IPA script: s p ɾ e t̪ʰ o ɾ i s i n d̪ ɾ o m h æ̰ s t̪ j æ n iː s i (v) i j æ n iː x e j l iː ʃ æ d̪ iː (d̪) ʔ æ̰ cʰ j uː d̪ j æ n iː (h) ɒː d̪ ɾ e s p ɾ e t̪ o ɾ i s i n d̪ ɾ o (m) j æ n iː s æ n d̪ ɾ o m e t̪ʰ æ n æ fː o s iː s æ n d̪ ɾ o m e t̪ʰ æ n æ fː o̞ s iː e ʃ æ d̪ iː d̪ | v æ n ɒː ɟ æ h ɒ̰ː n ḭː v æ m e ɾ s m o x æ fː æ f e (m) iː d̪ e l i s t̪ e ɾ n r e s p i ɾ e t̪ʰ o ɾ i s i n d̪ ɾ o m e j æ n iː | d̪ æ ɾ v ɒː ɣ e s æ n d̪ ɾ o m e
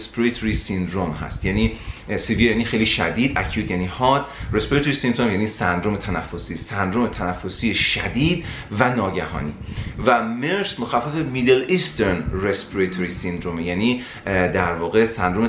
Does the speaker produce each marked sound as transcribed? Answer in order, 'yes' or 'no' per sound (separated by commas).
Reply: yes, yes, yes, yes, yes